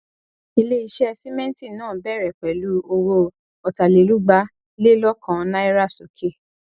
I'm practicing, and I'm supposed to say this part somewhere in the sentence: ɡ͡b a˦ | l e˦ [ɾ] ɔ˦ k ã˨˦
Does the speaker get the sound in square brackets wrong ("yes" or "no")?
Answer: yes